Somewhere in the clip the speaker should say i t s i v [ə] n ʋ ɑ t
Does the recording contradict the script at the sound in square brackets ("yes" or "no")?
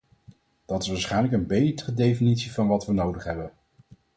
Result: yes